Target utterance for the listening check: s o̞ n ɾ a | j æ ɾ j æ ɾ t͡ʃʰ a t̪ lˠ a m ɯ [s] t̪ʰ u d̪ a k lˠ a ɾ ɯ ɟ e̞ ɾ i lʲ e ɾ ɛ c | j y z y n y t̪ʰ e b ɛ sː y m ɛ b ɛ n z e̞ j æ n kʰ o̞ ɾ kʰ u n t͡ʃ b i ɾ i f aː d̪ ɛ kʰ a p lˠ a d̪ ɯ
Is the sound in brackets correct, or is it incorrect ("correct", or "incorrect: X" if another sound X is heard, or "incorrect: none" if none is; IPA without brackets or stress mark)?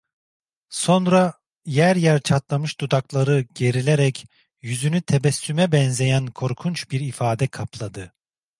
incorrect: ʃ